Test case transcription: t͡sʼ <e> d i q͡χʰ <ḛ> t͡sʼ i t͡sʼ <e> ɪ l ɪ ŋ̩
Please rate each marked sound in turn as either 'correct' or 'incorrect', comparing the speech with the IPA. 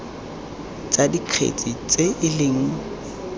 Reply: incorrect, correct, correct

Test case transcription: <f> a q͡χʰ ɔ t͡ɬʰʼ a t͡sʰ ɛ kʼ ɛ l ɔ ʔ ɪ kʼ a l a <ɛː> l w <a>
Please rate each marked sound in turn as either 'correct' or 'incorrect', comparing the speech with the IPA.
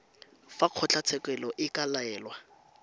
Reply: correct, correct, correct

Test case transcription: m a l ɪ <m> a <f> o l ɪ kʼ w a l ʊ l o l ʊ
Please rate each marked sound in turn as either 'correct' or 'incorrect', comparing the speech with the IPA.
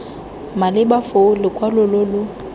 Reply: incorrect, correct

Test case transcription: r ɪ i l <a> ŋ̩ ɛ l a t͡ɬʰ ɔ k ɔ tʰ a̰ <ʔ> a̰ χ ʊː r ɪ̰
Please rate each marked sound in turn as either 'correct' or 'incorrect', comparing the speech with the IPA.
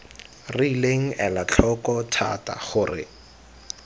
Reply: incorrect, incorrect

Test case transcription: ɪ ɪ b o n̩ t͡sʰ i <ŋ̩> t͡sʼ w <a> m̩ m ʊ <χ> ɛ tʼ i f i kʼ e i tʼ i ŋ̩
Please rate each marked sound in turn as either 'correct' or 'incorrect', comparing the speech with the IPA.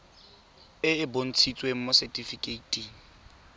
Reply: incorrect, incorrect, incorrect

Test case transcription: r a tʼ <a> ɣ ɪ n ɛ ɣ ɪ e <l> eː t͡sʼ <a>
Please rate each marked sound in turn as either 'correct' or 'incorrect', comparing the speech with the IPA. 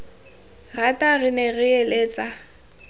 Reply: correct, correct, correct

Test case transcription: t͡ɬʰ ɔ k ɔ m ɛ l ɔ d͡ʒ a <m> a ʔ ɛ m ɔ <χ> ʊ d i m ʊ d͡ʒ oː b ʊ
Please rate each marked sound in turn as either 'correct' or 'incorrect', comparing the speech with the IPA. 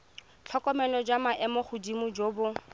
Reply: correct, correct

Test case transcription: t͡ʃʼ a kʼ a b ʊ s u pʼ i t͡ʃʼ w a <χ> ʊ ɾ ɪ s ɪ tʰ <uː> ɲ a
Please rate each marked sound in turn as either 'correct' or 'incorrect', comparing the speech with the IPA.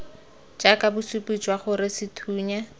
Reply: correct, correct

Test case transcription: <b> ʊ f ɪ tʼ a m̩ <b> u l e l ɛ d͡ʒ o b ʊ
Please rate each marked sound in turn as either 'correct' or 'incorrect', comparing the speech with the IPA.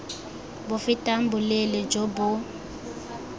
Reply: correct, correct

